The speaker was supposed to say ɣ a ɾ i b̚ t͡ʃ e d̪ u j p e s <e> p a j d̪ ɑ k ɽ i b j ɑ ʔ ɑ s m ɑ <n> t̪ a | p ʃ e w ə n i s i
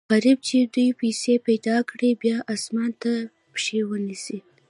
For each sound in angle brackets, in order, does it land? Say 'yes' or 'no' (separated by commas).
yes, yes